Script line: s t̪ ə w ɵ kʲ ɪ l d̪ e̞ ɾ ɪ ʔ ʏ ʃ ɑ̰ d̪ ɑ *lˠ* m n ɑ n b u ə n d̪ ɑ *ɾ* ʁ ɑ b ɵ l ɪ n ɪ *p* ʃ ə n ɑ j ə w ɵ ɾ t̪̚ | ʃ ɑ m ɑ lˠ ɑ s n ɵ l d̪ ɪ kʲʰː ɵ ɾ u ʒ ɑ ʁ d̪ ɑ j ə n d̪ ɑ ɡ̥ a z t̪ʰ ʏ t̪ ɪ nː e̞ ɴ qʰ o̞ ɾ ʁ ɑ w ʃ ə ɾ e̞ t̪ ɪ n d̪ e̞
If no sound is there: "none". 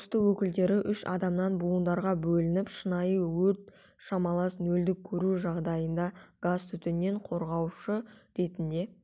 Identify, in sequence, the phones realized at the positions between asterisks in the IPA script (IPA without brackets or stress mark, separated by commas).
none, ɾ, p